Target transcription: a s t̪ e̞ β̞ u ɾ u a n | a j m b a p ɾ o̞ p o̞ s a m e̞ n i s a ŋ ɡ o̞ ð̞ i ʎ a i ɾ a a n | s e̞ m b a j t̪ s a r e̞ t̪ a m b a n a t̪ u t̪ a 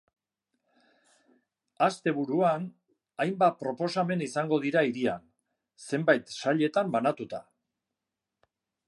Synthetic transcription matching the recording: a s t̪ e̞ β̞ u ɾ u a n | a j m b a p ɾ o̞ p o̞ s a m e̞ n i s a ŋ ɡ o̞ ð̞ i ɾ a i ɾ i a n | s e̞ m b a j t̪ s a ʎ e̞ t̪ a m b a n a t̪ u t̪ a